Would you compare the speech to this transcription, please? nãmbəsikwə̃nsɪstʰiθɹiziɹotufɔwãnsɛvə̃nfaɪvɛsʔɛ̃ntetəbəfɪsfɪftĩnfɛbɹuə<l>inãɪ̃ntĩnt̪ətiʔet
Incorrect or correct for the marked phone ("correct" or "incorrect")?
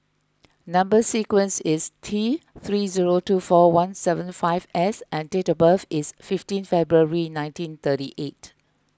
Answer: incorrect